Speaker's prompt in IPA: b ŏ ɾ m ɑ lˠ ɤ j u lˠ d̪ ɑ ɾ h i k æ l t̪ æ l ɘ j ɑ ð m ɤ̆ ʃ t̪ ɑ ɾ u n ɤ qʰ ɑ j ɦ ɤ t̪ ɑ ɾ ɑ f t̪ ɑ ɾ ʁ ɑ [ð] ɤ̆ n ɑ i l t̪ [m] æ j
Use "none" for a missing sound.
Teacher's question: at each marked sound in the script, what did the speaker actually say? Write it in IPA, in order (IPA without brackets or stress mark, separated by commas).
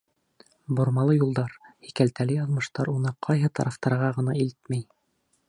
ʁ, m